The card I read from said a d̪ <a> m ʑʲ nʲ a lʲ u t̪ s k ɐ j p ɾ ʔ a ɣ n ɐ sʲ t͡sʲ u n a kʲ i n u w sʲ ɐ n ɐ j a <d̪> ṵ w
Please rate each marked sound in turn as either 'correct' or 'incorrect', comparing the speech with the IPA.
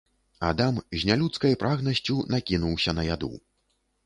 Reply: correct, correct

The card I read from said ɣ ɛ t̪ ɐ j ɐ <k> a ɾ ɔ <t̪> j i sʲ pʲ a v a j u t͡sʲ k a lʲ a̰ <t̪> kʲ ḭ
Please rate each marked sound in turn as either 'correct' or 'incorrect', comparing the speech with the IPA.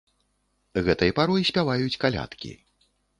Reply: incorrect: p, incorrect: none, correct

